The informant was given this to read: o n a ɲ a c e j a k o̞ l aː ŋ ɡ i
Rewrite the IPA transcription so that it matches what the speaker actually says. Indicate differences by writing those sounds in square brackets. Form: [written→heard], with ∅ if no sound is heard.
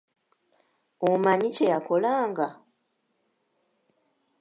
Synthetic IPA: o [n→m] a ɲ [a→i] c e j a k o̞ l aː ŋ ɡ [i→a]